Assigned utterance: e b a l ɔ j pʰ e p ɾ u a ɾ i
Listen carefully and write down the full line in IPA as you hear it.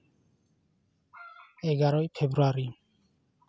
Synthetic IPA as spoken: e ɡ a ɾ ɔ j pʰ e b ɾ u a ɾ i